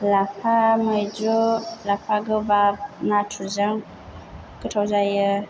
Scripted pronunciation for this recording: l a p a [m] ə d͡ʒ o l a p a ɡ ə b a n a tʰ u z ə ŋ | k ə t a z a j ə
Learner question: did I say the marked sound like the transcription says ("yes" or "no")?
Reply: yes